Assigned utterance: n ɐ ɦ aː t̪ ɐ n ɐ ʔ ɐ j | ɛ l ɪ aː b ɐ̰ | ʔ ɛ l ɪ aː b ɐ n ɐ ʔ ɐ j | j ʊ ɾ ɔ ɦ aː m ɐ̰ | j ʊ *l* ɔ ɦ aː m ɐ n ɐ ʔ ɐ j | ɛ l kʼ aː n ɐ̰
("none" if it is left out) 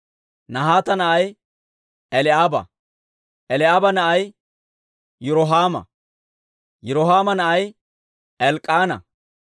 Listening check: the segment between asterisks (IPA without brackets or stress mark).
ɾ